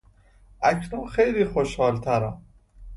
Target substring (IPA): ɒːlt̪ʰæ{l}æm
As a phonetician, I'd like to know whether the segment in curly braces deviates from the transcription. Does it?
yes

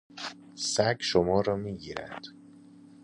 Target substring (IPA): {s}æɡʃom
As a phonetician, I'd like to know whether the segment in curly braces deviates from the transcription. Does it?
no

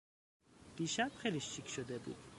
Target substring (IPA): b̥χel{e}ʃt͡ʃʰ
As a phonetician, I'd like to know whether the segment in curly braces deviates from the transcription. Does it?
yes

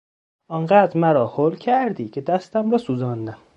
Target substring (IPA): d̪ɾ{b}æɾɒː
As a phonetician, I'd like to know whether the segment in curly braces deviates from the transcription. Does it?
yes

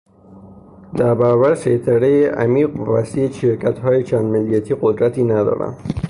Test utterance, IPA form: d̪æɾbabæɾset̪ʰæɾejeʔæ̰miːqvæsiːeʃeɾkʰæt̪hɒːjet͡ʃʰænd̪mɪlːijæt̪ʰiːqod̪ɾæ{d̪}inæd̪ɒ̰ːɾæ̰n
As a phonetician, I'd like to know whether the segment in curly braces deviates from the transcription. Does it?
yes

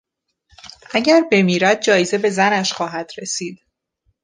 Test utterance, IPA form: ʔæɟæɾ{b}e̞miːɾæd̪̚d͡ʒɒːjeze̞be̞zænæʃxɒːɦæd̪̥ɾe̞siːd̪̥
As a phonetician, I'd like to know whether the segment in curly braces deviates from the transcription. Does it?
no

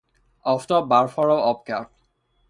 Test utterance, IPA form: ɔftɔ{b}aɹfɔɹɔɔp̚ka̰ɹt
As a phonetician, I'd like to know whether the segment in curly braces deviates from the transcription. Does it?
no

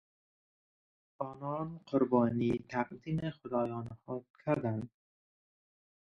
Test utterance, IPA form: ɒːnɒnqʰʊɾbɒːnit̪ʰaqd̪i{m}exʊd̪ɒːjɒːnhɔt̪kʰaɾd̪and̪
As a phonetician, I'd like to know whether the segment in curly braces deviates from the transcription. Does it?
no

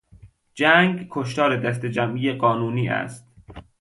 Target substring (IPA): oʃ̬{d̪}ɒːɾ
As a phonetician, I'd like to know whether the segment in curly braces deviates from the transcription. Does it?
yes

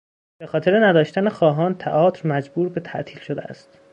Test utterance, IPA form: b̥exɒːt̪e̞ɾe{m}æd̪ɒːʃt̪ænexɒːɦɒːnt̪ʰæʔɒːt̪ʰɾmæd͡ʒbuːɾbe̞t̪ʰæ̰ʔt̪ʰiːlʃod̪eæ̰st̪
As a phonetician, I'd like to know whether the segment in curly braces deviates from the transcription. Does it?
yes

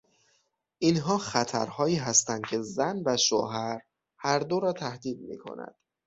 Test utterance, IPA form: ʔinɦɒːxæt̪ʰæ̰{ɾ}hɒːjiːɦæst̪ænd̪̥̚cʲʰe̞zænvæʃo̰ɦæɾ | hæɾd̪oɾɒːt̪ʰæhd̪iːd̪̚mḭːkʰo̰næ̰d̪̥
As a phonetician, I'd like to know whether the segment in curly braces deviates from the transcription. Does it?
no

